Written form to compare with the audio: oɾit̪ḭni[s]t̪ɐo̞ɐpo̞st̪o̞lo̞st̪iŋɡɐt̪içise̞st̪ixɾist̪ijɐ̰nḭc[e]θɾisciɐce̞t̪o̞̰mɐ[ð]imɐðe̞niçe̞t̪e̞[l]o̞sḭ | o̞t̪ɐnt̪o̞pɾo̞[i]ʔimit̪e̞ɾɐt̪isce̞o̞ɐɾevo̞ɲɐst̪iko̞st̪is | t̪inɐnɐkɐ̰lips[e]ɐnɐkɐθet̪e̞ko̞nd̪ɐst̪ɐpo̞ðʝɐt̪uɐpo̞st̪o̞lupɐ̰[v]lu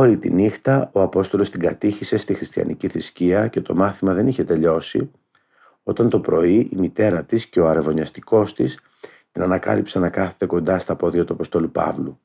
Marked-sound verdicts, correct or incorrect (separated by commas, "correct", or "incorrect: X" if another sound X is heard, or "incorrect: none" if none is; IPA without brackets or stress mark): incorrect: x, incorrect: i, incorrect: θ, incorrect: ʎ, correct, correct, correct